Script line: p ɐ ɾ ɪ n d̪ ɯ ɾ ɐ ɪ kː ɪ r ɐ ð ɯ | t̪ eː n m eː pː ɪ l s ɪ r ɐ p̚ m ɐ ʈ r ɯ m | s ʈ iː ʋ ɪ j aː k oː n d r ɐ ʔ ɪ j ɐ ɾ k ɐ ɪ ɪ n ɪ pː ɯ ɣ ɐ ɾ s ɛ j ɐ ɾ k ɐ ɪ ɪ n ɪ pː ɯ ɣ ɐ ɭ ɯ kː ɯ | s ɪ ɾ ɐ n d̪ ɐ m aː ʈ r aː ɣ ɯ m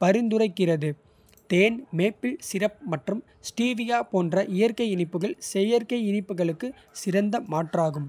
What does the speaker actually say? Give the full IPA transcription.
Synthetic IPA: p ɐ ɾ ɪ n d̪ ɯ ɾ ɐ ɪ kː ɪ r ɐ ð ɯ | t̪ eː n m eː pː ɪ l s ɪ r ɐ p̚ m ɐ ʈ r ɯ m | s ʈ iː ʋ ɪ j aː p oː n d r ɐ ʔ ɪ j ɐ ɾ k ɐ ɪ ɪ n ɪ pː ɯ ɣ ɐ ɭ s ɛ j ɐ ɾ k ɐ ɪ ɪ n ɪ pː ɯ ɣ ɐ ɭ ɯ kː ɯ | s ɪ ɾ ɐ n d̪ ɐ m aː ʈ r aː ɣ ɯ m